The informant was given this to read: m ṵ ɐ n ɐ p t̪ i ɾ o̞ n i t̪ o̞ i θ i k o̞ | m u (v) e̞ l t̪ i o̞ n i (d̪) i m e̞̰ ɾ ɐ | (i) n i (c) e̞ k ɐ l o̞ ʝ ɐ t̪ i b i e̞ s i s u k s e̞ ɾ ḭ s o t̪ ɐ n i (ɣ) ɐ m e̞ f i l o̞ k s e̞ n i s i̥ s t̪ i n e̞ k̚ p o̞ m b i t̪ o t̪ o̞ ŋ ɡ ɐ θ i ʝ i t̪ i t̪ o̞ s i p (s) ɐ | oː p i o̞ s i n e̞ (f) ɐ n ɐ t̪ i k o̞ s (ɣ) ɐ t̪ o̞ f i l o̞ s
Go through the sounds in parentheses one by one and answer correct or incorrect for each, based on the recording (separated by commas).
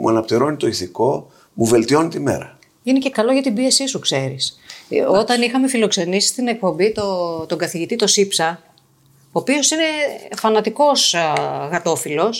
correct, incorrect, correct, correct, incorrect, correct, correct, correct